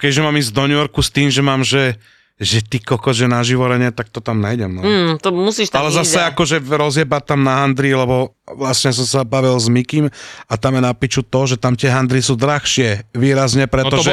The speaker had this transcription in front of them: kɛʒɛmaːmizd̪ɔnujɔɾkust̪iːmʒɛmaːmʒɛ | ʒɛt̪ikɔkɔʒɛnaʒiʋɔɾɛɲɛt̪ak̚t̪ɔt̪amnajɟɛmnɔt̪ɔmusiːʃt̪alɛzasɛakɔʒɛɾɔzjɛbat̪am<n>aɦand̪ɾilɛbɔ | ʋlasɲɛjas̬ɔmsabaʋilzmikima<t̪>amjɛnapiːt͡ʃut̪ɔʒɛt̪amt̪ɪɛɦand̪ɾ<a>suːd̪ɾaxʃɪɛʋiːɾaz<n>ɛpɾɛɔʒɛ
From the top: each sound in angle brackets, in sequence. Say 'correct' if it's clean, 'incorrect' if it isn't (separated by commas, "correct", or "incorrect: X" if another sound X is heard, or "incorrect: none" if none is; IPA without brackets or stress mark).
correct, correct, incorrect: i, incorrect: ɲ